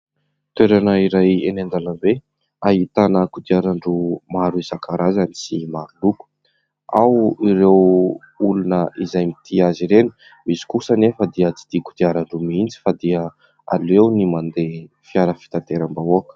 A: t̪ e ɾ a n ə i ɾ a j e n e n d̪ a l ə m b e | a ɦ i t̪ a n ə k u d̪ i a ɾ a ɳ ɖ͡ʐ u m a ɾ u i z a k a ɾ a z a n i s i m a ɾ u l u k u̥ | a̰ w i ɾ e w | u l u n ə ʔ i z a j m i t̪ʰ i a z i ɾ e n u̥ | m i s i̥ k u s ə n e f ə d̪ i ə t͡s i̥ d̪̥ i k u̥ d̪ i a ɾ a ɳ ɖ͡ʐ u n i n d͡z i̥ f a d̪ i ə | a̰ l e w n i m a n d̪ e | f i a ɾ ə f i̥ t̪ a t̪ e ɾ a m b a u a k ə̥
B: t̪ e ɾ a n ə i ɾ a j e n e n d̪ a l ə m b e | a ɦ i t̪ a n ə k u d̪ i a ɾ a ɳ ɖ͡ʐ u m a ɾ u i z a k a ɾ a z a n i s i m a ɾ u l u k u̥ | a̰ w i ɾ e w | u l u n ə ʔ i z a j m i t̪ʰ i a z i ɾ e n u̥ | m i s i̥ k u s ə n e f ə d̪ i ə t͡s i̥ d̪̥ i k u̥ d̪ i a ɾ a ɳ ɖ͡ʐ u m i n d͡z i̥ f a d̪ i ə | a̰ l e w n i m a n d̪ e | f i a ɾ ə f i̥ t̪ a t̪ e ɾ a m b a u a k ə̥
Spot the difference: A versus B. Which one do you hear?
B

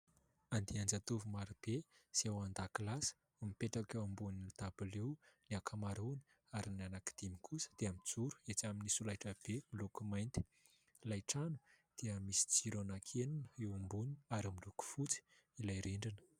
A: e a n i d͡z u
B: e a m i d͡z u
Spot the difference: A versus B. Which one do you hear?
B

